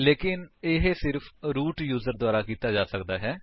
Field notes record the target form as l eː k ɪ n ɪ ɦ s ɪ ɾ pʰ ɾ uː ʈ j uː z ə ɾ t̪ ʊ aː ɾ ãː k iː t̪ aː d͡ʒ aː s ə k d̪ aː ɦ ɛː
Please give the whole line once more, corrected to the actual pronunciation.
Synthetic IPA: l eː k ɪ n ɪ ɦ s ɪ ɾ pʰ ɾ uː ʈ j uː z ə ɾ d̪ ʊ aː ɾ aː k iː t̪ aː d͡ʒ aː s ə k d̪ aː ɦ ɛː